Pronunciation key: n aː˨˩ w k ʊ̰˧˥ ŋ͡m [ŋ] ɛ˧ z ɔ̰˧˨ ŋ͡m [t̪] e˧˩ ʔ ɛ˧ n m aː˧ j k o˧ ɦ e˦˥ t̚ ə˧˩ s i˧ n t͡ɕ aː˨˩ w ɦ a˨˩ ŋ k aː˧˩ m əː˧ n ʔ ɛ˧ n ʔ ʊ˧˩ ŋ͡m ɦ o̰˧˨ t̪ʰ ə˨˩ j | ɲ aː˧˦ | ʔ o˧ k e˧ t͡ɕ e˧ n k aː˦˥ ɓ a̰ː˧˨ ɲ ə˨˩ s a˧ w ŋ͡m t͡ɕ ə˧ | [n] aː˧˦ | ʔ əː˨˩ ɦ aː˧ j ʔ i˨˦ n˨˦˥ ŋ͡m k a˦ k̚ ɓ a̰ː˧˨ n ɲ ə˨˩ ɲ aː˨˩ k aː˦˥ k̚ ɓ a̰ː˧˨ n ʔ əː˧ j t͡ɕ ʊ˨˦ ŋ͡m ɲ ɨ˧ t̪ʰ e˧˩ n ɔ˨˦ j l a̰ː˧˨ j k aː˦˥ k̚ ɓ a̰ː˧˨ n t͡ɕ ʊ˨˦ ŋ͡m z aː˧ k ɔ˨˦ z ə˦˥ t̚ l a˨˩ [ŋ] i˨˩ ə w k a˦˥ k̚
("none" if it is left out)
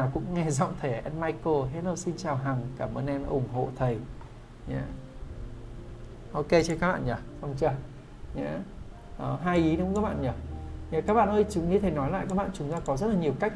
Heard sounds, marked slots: ŋ, t̪ʰ, ɲ, ɲ

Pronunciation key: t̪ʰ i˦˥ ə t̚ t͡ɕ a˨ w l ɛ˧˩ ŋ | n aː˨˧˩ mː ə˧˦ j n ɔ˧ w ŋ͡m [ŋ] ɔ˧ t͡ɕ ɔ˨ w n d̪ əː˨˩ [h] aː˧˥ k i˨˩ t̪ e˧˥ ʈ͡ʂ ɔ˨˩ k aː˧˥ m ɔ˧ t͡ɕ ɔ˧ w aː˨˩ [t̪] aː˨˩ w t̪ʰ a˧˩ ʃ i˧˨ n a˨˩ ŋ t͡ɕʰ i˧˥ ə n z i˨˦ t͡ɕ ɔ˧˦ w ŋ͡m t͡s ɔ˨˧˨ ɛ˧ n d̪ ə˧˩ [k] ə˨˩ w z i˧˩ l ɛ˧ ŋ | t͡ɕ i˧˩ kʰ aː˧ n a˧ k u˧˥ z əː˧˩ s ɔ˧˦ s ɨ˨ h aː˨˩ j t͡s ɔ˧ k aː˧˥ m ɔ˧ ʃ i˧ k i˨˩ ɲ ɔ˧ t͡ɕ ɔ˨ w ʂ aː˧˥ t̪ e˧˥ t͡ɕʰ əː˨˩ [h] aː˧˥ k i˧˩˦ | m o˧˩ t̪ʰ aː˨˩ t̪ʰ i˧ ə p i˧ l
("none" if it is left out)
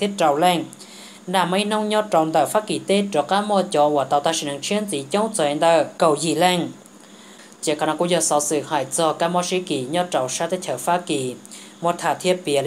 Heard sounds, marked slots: ɲ, f, t̪, k, f

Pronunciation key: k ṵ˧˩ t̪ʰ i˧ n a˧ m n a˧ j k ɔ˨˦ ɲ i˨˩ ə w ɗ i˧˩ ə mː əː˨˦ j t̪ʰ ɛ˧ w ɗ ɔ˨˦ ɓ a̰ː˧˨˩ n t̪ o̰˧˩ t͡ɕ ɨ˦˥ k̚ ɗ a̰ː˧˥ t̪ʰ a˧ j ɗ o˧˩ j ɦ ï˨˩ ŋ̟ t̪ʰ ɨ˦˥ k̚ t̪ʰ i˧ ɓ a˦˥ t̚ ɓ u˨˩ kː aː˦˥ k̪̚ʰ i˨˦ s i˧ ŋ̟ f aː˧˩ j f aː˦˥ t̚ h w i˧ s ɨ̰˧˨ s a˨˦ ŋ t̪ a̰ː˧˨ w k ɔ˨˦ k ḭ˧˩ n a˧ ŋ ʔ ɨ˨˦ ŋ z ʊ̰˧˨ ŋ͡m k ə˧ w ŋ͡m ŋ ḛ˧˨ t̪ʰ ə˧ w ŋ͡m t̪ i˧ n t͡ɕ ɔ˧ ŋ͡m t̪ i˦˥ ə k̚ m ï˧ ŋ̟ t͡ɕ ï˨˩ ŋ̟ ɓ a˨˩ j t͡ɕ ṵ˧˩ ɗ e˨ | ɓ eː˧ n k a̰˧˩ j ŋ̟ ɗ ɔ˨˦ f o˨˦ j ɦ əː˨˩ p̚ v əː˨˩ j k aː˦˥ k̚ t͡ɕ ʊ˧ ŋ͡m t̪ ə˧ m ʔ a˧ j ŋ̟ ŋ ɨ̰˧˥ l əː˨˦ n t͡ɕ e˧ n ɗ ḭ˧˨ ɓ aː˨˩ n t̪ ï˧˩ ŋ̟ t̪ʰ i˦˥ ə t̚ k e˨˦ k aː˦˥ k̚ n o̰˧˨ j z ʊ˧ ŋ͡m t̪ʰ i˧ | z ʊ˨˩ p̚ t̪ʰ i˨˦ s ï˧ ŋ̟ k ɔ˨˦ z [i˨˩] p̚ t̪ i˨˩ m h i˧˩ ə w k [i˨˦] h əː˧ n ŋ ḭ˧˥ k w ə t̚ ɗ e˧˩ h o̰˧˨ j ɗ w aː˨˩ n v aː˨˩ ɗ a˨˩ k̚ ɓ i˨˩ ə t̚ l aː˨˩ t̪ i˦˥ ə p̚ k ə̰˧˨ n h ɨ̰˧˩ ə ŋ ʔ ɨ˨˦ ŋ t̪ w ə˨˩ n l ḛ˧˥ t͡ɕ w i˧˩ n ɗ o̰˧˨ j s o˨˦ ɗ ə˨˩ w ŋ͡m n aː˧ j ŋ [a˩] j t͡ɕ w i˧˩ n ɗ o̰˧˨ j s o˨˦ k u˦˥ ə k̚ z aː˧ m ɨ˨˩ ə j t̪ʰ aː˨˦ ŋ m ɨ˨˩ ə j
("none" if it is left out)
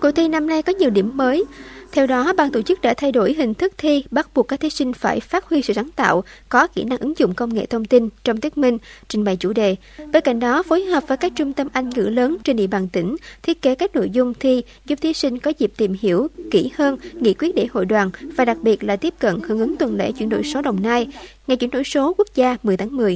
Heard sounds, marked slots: i˨˩, i˧˩, a˩

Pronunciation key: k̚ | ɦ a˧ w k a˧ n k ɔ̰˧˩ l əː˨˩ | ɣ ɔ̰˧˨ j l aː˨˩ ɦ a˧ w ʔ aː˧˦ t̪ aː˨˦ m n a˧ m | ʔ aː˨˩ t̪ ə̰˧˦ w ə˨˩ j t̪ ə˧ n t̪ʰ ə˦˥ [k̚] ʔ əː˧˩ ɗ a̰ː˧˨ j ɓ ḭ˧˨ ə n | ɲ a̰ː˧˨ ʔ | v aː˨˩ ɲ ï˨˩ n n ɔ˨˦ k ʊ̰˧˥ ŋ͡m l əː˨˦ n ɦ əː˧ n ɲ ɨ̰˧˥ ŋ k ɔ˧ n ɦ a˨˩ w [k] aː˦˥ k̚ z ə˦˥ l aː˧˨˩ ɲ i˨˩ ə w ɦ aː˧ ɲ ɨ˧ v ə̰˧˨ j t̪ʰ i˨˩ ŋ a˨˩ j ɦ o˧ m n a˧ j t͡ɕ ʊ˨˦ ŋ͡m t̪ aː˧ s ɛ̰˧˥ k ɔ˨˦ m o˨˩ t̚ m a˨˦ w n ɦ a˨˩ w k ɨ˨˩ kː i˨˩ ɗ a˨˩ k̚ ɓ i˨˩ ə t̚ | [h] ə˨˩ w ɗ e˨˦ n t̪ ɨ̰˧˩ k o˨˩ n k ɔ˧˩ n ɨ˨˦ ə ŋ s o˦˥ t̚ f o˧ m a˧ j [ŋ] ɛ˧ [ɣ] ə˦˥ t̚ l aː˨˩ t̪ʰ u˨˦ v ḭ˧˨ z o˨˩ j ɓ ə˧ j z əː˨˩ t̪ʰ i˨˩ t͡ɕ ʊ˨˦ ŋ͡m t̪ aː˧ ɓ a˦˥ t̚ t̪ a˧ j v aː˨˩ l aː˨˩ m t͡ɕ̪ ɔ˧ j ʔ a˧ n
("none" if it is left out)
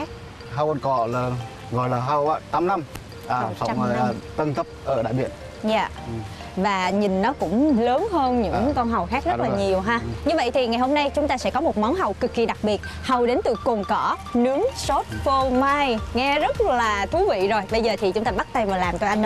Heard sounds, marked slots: p̚, x, h, ŋ, z

